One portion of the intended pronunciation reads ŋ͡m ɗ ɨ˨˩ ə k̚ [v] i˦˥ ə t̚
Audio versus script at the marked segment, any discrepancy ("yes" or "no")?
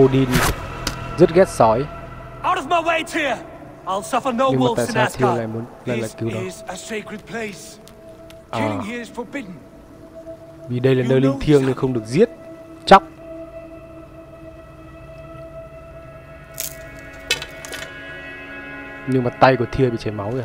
yes